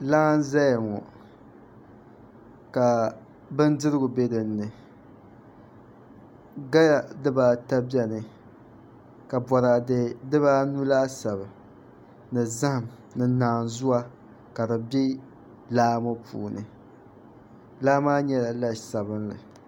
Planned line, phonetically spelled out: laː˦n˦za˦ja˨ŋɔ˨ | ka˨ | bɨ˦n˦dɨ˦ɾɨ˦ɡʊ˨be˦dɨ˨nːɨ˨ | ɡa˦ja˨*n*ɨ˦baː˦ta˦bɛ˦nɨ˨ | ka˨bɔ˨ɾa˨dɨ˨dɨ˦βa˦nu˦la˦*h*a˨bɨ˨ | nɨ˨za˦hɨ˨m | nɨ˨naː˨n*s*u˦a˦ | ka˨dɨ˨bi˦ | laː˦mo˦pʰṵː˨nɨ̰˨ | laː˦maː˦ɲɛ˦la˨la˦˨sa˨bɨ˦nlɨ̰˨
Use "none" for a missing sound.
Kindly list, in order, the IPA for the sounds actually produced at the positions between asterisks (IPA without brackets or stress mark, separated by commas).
d, s, z